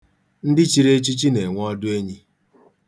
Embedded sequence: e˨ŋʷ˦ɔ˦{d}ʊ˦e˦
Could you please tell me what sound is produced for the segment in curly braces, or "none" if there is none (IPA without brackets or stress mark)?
d